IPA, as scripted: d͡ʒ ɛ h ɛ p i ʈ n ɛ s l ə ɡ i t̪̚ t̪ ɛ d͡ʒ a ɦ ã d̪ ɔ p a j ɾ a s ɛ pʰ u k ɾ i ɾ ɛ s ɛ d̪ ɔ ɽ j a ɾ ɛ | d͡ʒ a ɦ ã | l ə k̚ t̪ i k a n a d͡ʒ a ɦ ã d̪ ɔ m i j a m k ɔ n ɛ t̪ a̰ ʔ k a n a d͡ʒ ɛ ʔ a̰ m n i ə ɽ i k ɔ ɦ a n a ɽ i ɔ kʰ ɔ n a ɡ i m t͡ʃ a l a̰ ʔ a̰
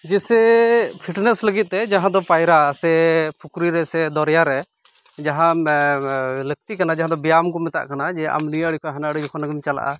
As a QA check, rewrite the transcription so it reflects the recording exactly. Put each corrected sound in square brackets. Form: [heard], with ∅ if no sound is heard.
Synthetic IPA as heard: d͡ʒ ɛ [s] ɛ [pʰ] i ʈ n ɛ s l ə ɡ i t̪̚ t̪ ɛ d͡ʒ a ɦ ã d̪ ɔ p a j ɾ a s ɛ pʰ u k ɾ i ɾ ɛ s ɛ d̪ ɔ [ɾ] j a ɾ ɛ | d͡ʒ a ɦ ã | l ə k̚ t̪ i k a n a d͡ʒ a ɦ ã d̪ ɔ [b] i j a m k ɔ [m] ɛ t̪ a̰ ʔ k a n a d͡ʒ ɛ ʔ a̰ m n i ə ɽ i k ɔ ɦ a n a ɽ i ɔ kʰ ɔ n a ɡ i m t͡ʃ a l a̰ ʔ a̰